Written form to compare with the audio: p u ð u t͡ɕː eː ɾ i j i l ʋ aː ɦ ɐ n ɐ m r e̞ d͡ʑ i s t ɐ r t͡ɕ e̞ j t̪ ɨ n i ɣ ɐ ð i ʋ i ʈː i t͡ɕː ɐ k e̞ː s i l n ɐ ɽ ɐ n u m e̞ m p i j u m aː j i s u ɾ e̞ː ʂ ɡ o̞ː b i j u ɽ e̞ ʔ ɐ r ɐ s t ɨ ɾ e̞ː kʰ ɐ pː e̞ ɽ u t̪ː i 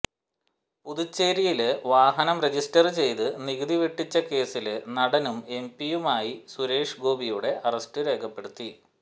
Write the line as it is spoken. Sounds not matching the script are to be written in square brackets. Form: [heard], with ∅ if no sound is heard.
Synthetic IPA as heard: p u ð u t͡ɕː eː ɾ i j i l ʋ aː ɦ ɐ n ɐ m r e̞ d͡ʑ i s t ɐ r t͡ɕ e̞ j t̪ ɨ n i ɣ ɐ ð i ʋ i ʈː i t͡ɕː ɐ k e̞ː s i l n ɐ ɽ ɐ n u m e̞ m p i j u m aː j i s u ɾ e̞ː ʂ ɡ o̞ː b i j u ɽ e̞ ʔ ɐ r ɐ s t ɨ ɾ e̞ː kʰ ɐ pː e̞ ɽ u t̪ː i